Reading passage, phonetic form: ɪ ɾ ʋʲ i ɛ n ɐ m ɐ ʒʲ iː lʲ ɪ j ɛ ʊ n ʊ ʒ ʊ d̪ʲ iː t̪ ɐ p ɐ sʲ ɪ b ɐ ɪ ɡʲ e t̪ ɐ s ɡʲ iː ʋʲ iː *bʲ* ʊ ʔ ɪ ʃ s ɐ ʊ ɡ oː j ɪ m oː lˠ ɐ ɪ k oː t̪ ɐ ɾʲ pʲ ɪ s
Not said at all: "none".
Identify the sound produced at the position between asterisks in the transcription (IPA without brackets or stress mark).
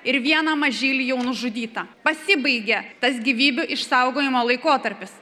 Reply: bʲ